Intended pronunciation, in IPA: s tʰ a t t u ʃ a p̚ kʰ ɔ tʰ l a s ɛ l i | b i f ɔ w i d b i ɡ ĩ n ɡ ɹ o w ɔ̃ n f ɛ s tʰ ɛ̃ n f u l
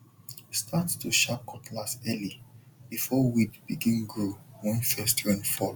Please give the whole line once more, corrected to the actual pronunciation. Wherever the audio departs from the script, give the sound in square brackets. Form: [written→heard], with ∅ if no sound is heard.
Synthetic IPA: s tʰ a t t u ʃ a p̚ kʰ ɔ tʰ l a s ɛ l i | b i f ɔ w i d b i ɡ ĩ n ɡ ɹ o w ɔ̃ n f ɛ s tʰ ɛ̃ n f [u→ɔ] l